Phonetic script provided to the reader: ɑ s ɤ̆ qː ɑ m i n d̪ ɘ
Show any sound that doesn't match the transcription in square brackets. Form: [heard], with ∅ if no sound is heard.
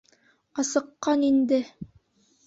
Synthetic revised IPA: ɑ s ɤ̆ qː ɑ [n] i n d̪ ɘ